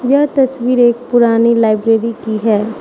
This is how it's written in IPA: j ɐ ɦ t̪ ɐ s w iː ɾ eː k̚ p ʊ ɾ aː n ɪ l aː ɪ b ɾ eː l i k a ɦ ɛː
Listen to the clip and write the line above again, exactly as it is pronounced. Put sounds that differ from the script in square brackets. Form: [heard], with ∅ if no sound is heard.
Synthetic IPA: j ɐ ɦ t̪ ɐ s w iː ɾ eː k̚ p ʊ ɾ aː n [i] l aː ɪ b ɾ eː [ɾ] i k [i] ɦ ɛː